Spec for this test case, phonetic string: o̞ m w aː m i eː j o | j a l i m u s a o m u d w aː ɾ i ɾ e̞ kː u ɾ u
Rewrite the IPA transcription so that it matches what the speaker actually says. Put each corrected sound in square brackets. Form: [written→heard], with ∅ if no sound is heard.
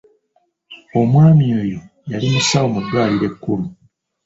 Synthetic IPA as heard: o̞ m w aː m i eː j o | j a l i m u s a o m u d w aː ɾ i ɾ e̞ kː u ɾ u